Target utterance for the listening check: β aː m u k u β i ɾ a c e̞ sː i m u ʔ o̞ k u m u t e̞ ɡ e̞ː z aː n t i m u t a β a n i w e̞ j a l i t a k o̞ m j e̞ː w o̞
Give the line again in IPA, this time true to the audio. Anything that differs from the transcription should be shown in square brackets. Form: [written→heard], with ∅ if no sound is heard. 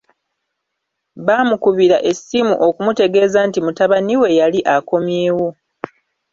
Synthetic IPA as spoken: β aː m u k u β i ɾ a [c→ʔ] e̞ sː i m u ʔ o̞ k u m u t e̞ ɡ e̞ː z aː n t i m u t a β a n i w e̞ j a l i [t→ʔ] a k o̞ m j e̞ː w o̞